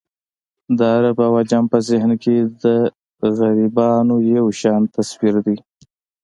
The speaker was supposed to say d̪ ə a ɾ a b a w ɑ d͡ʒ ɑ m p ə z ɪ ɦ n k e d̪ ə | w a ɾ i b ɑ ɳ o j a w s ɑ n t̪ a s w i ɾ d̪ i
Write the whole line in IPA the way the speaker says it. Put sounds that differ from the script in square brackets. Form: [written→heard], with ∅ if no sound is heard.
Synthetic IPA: d̪ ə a ɾ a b a w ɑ d͡ʒ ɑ m p ə z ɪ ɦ n k e d̪ ə | [w→ɣ] a ɾ i b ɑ [ɳ→n] o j a w [s→ʃ] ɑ n t̪ a s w i ɾ d̪ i